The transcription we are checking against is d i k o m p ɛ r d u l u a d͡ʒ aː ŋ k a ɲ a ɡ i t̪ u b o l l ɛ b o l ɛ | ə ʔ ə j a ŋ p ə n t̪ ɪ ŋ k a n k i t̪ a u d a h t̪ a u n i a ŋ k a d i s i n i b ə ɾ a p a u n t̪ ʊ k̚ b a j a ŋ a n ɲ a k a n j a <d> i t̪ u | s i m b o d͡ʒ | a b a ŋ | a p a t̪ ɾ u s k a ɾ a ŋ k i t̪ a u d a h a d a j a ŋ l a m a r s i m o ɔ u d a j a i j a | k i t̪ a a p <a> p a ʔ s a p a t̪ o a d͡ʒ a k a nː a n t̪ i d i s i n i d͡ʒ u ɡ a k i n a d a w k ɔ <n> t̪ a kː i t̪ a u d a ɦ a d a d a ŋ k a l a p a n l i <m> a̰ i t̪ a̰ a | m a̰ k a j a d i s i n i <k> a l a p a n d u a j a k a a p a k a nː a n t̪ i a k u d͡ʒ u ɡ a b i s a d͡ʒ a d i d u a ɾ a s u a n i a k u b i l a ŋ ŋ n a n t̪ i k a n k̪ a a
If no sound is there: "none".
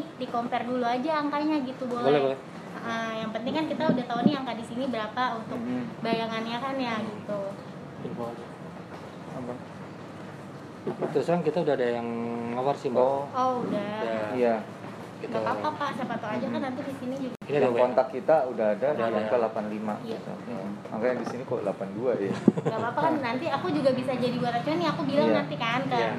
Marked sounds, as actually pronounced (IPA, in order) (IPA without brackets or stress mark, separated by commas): ɡ, a, n, m, k